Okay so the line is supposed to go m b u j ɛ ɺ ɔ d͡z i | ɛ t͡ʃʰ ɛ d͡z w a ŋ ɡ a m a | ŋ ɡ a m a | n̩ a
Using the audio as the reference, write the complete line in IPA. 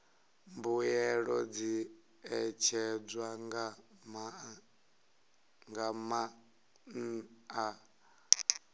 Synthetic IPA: m b u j ɛ ɺ ɔ d͡z i | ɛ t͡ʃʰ ɛ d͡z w a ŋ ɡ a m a | ŋ ɡ a m a | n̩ a

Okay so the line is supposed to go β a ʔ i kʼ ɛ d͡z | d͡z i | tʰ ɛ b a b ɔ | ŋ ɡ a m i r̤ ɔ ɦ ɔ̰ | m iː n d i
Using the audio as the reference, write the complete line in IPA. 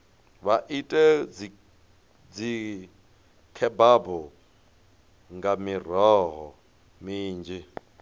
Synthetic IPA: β a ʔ i tʼ ɛ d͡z | d͡z i | kʰ ɛ b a b ɔ | ŋ ɡ a m i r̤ ɔ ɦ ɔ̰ | m iː n d͡ʒ i

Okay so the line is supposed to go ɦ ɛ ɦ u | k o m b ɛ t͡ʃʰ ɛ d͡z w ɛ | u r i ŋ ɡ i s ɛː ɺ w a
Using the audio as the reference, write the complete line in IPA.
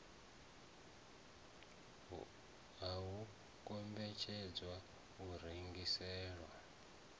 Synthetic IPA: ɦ a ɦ u | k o m b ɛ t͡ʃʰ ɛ d͡z w a | u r i ŋ ɡ i s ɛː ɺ w a

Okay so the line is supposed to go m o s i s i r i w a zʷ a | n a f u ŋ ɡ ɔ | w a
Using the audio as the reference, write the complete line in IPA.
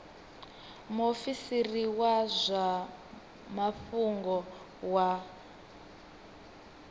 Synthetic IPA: m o f i s i r i w a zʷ a | m a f u ŋ ɡ ɔ | w a

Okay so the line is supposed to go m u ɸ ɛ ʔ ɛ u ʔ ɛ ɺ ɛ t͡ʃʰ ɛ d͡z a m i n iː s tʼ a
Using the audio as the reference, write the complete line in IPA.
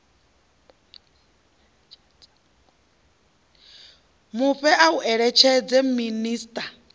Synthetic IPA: m u ɸ ɛ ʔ a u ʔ ɛ ɺ ɛ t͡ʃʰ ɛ d͡z ɛ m i n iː s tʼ a

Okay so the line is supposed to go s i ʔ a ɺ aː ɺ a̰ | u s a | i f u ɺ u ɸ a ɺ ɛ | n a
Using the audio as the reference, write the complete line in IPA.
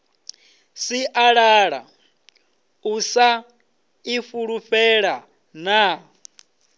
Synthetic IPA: s i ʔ a ɺ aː ɺ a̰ | u s a | i f u ɺ u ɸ ɛ ɺ a | n a

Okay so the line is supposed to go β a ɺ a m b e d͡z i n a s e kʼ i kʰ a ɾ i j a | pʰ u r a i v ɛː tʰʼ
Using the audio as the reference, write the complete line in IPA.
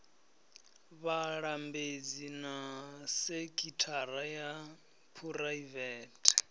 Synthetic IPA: β a ɺ a m b e d͡z i n a s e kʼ i tʰ a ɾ a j a | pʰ u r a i v ɛː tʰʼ

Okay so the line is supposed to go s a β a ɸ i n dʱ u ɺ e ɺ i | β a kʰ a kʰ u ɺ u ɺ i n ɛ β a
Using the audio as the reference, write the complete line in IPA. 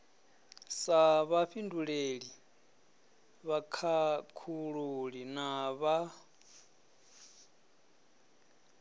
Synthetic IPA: s a β a ɸ i n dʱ u ɺ e ɺ i | β a kʰ a kʰ u ɺ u ɺ i n a β a

